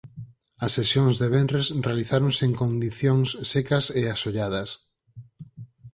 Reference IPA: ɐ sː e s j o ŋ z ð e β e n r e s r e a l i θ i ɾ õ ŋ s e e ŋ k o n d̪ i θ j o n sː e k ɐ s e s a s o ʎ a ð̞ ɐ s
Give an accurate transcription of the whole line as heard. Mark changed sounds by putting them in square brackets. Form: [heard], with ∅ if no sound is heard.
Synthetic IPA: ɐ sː e s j o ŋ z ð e β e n r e s r e a l i θ [a] ɾ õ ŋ s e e ŋ k o n d̪ i θ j o [ŋ] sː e k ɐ s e [∅] a s o ʎ a ð̞ ɐ s